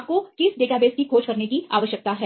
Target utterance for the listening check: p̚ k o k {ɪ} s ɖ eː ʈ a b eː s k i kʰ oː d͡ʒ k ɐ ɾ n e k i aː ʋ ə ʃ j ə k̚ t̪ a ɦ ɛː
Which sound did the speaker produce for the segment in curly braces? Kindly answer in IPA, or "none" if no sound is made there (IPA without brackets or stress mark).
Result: ɪ